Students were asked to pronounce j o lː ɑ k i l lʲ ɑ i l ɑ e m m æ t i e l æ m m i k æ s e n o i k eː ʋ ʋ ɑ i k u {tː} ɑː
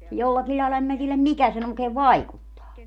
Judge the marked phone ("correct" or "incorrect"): correct